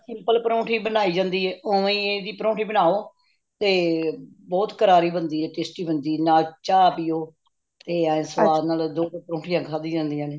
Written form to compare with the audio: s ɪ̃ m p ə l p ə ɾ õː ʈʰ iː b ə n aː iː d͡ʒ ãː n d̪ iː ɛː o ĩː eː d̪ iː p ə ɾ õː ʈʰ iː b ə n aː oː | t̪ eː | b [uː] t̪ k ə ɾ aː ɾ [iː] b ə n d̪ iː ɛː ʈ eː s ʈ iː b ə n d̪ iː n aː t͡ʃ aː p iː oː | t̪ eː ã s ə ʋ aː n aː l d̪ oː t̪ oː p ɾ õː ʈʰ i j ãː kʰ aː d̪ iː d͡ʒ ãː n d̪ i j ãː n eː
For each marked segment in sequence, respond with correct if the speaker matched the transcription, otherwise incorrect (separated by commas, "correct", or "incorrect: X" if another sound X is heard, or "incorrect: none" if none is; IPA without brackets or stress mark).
incorrect: ɔː, correct